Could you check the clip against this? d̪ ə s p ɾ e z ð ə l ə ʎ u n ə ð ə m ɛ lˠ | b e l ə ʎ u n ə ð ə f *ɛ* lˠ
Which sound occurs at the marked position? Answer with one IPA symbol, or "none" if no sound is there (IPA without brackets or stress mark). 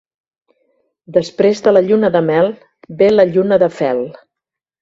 ɛ